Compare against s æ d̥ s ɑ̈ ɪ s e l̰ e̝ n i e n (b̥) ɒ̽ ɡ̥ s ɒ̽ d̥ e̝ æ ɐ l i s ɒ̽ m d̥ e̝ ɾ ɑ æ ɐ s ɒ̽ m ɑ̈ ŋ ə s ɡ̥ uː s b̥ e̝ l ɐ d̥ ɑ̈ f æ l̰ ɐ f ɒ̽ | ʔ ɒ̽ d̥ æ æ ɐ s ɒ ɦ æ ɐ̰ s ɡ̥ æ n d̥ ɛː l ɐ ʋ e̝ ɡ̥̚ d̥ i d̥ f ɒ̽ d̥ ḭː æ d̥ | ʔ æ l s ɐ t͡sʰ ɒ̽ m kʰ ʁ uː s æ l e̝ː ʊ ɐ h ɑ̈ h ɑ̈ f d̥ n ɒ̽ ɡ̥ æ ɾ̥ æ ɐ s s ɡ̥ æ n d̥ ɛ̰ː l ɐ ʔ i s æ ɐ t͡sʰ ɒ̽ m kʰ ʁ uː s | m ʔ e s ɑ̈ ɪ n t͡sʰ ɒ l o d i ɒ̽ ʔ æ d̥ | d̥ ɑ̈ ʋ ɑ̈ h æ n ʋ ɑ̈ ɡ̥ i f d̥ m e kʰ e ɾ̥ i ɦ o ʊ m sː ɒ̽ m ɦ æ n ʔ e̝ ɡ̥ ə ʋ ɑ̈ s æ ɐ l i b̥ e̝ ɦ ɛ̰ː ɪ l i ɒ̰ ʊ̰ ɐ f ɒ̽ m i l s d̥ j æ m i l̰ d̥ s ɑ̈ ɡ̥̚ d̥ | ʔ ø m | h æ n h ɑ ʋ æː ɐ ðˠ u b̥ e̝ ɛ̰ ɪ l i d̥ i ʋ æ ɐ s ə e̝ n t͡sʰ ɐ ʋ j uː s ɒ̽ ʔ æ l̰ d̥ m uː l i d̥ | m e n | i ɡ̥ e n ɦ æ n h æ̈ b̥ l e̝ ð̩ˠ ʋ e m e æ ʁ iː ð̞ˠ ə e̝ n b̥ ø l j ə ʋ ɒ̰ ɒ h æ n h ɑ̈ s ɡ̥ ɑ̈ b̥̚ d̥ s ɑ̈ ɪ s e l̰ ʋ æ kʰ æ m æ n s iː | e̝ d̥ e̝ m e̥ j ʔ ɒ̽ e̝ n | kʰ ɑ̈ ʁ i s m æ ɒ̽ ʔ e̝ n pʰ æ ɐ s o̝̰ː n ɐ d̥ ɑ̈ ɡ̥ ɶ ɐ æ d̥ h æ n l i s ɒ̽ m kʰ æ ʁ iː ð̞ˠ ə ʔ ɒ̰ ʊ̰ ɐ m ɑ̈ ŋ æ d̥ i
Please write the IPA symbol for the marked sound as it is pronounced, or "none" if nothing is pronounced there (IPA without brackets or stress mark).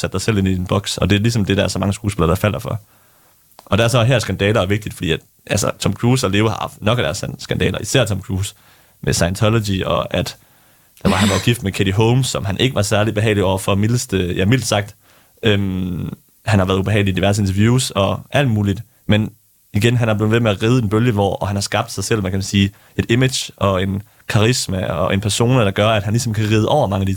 b̥